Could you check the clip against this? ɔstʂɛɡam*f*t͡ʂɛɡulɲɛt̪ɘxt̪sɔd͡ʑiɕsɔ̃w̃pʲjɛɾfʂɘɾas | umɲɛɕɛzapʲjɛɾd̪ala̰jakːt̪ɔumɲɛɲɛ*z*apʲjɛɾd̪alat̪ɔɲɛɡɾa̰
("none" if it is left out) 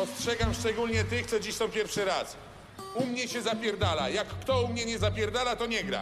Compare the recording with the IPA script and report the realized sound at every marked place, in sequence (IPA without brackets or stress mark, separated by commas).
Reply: ʂ, z